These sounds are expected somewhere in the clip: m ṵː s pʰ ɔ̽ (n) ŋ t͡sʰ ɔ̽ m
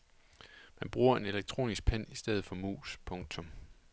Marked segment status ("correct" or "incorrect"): incorrect